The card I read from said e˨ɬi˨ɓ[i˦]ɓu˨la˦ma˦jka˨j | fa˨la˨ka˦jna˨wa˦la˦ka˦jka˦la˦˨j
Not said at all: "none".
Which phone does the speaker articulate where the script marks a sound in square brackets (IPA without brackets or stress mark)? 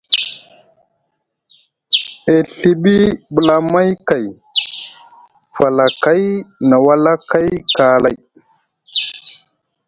i˦